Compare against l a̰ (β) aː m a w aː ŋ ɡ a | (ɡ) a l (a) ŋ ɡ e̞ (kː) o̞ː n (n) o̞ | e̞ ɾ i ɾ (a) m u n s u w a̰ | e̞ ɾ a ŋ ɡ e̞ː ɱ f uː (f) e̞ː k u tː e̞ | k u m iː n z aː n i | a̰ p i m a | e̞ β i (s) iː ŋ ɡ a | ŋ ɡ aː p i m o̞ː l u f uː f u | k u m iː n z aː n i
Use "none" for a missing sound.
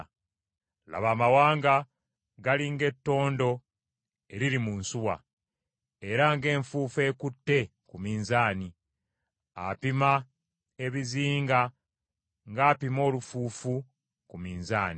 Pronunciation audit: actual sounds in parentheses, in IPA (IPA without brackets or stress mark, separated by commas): β, ɡ, i, tː, d, i, f, z